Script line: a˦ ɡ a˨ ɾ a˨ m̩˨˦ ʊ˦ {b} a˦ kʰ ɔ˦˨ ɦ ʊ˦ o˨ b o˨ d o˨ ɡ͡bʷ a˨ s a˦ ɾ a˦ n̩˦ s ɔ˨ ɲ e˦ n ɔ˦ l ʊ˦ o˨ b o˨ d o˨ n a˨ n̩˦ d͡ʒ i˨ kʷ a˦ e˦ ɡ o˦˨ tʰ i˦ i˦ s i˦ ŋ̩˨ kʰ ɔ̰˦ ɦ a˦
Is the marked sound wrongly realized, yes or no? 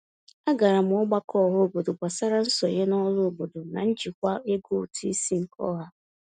yes